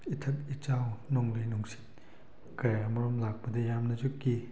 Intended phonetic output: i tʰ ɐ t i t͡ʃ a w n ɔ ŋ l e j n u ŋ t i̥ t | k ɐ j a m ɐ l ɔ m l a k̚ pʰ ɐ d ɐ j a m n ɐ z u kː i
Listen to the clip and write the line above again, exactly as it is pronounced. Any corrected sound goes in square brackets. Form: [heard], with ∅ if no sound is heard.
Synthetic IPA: i tʰ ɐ t i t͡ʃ a w n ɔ ŋ l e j n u ŋ [s] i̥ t | k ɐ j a m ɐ [ɾ] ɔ m l a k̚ [p] ɐ d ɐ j a m n ɐ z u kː i

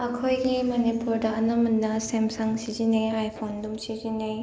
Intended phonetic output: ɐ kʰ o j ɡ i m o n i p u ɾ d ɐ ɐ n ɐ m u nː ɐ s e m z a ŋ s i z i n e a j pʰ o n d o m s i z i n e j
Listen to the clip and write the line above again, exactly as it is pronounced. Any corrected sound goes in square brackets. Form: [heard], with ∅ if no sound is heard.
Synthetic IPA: ɐ kʰ o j ɡ i m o n i p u ɾ d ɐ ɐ n ɐ m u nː ɐ s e m [s] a ŋ s i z i n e a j pʰ o n d [u] m s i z i n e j

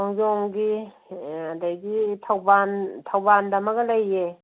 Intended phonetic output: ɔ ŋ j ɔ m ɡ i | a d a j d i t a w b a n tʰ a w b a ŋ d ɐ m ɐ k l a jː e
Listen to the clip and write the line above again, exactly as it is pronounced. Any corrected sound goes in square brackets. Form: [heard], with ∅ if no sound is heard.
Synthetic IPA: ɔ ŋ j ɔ [ŋ] ɡ i | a d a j [ɡ] i [tʰ] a w b a n tʰ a w b a [n] d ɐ m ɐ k l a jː e

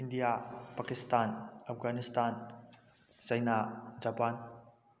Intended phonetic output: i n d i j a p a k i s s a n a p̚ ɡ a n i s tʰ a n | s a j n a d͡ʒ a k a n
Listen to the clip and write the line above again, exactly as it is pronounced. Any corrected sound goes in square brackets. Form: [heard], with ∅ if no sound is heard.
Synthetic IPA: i n d i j a p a k i s [t] a n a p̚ ɡ a n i s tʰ a n | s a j n a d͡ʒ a [p] a n

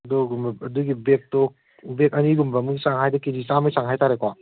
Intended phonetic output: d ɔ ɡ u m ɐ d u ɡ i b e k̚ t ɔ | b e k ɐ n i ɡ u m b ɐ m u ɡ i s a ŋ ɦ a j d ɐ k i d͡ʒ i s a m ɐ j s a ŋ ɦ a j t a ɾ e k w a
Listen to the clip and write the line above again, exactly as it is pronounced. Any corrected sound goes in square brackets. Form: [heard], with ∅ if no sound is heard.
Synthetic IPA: d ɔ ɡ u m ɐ d u ɡ i b e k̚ t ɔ | b e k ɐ n i ɡ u m b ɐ m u ɡ i s a ŋ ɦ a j d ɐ k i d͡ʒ i s a m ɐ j s a ŋ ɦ a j t a ɾ e k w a

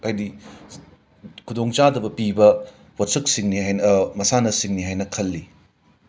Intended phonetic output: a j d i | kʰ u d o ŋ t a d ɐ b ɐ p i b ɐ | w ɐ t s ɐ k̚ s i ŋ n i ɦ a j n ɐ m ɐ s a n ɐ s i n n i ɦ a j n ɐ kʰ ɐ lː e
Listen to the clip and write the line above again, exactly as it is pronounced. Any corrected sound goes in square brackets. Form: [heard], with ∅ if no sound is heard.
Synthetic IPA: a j d i | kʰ u d o ŋ [t͡ʃ] a d ɐ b ɐ p i b ɐ | w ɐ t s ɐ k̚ s i ŋ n i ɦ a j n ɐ m ɐ s a n ɐ s i [ŋ] n i ɦ a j n ɐ kʰ ɐ lː [i]

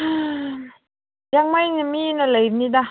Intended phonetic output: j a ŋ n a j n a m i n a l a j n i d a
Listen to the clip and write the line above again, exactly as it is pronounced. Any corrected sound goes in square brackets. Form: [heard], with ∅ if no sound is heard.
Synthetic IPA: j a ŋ [m] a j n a m i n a l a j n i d a

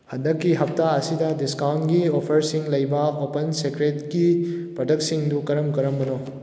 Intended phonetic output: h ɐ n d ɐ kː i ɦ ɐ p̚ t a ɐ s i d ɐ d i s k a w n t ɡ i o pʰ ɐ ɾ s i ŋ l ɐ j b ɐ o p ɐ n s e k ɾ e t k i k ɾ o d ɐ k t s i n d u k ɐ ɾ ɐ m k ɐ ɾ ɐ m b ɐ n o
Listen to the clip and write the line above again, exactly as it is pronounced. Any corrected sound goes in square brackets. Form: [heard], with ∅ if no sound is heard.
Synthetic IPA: h ɐ n d ɐ kː i ɦ ɐ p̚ t a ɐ s i d ɐ d i s k a w n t ɡ i o pʰ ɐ ɾ s i ŋ l ɐ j b ɐ o p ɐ n s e k ɾ e t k i [p] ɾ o d ɐ k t s i [ŋ] d u k ɐ ɾ ɐ m k ɐ ɾ ɐ m b ɐ n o

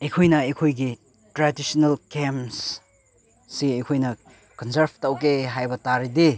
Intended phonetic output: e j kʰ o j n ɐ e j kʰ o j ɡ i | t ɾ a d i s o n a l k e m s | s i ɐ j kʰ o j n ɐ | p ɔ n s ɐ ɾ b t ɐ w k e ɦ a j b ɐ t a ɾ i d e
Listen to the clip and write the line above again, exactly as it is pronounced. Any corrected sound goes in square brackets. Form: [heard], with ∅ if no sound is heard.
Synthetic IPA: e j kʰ o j n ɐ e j kʰ o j ɡ i | t ɾ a d i s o n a l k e m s | s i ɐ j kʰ o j n ɐ | [k] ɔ n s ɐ ɾ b t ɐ w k e ɦ a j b ɐ t a ɾ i d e

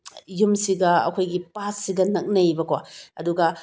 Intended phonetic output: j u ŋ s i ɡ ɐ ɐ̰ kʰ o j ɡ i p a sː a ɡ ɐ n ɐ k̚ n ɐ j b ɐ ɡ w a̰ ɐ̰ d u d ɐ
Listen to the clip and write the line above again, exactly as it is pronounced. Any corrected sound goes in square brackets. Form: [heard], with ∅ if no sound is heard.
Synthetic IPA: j u [m] s i ɡ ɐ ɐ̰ kʰ o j ɡ i p a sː [i] ɡ ɐ n ɐ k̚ n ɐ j b ɐ [k] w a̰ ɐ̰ d u [ɡ] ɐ

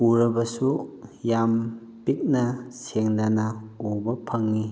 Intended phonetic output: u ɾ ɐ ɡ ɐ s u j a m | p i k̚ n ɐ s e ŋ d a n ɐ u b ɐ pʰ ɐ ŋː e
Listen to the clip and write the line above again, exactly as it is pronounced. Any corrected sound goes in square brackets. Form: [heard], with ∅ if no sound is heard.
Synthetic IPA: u ɾ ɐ [b] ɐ s u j a m | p i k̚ n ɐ s e ŋ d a n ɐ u b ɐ pʰ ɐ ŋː [i]

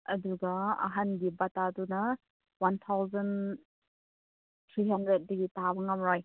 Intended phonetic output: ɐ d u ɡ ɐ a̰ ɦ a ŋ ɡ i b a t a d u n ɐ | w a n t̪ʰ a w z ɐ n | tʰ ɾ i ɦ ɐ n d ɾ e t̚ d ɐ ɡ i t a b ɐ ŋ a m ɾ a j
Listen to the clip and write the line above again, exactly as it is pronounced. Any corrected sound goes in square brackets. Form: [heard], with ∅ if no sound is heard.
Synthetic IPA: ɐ d u ɡ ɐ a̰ ɦ a [n] ɡ i b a t a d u n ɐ | w a n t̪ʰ a w z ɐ n | tʰ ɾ i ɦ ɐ n d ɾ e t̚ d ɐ ɡ i t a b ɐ ŋ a m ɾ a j

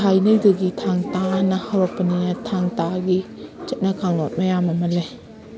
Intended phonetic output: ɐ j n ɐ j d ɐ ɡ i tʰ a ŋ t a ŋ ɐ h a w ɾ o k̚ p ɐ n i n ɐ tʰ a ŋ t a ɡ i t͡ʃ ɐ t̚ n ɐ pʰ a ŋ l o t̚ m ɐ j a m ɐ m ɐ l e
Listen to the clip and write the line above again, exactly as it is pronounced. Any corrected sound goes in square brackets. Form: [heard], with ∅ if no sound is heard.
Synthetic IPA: [a] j n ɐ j d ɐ ɡ i tʰ a ŋ t a [n] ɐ h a w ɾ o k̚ p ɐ n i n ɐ tʰ a ŋ t a ɡ i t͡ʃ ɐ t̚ n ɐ [kʰ] a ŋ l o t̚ m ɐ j a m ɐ m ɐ l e

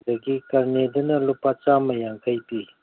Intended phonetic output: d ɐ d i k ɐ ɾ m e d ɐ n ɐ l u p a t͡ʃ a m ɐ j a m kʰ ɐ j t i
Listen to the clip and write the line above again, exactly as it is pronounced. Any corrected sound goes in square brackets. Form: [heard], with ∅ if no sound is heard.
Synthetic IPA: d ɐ [ɡ] i k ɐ ɾ [n] e d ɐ n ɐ l u p a t͡ʃ a m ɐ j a [ŋ] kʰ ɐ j [p] i

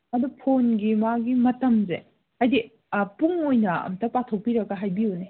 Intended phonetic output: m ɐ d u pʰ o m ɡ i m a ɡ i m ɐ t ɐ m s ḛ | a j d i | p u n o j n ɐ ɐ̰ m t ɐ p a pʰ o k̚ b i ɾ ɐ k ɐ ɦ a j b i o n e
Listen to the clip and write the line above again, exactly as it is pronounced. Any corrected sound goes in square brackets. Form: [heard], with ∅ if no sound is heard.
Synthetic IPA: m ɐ d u pʰ o [n] ɡ i m a ɡ i m ɐ t ɐ m [z] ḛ | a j d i | p u [ŋ] o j n ɐ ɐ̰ m t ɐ p a [tʰ] o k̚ [p] i ɾ ɐ [ɡ] ɐ ɦ a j b i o n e

